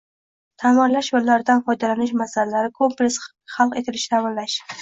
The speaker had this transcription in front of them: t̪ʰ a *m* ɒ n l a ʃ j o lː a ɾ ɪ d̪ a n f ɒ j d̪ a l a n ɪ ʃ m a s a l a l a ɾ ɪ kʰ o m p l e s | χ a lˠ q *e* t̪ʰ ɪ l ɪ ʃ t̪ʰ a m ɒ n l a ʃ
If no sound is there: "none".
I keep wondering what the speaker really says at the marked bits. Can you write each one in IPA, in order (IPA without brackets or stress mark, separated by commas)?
m, e